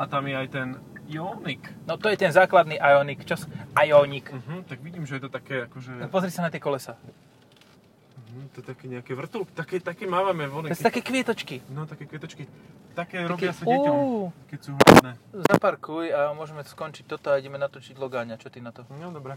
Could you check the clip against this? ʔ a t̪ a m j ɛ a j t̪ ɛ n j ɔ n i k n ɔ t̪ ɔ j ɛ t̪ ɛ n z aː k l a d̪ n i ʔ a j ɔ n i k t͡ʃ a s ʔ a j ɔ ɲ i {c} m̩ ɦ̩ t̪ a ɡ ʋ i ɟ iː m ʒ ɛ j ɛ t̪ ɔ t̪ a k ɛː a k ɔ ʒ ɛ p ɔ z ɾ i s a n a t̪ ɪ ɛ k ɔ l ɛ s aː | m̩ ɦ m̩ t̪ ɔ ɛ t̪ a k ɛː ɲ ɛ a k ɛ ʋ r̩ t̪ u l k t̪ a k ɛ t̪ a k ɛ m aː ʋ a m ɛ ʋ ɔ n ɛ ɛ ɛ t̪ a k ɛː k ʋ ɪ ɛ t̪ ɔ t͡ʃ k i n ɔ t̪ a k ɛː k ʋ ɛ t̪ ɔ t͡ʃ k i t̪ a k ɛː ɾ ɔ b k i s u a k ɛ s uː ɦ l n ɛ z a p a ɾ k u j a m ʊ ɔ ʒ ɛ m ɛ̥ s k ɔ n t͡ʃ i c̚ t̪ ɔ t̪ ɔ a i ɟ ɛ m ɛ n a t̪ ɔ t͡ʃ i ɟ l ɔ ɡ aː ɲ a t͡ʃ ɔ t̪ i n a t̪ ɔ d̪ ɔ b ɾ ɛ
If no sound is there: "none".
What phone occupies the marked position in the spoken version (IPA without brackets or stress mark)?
k